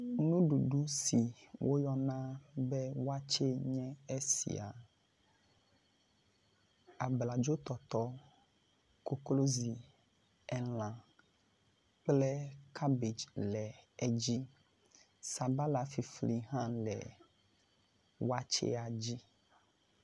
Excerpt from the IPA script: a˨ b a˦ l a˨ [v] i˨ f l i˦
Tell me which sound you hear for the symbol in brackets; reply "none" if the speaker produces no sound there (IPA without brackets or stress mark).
f